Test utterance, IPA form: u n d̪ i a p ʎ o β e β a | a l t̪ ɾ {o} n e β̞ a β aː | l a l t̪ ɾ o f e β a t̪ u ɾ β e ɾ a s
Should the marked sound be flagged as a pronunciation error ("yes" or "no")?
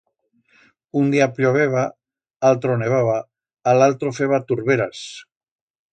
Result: no